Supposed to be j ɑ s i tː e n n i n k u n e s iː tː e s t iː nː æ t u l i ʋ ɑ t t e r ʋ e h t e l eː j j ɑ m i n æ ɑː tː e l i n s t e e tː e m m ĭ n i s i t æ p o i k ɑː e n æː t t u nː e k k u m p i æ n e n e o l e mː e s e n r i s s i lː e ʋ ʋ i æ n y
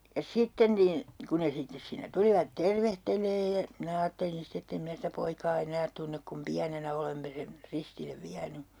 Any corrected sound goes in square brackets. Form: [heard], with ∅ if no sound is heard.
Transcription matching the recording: j ɑ s i tː e n n i n k u n e s [i] tː e s [s] iː nː æ t u l i ʋ ɑ t t e r ʋ e h t e l eː j j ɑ m i n æ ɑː tː e l i n s t e e tː e m m ĭ n [æ] s i t æ p o i k ɑː e n æː t t u nː e k k u m p i æ n e n [æ] o l e mː e s e n r i s [t] i lː e ʋ ʋ i æ n y

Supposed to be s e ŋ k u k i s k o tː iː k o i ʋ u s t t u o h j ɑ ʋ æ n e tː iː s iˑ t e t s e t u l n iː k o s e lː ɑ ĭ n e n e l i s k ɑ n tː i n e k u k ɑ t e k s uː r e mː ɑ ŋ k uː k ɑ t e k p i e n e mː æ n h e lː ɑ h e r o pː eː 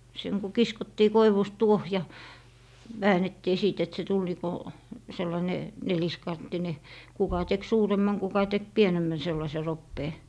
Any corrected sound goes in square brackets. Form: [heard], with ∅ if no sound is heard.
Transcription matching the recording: s e ŋ k u k i s k o tː iː k o i ʋ u s t t u o h j ɑ ʋ [æː] n e tː iː s iˑ t e t s e t u l n iː k o s e lː ɑ ĭ n e n e l i s k ɑ n tː i n e k u k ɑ t e k s uː r e mː ɑ ŋ k [u] k ɑ t e k p i e n e mː æ n [s] e lː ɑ [s] e r o pː eː

